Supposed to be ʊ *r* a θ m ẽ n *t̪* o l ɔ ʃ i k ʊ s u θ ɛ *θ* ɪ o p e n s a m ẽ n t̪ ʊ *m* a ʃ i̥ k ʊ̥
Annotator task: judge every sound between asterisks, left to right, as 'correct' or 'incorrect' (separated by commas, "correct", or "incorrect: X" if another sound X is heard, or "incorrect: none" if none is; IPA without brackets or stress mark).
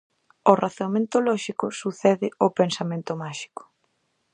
correct, correct, incorrect: ð, correct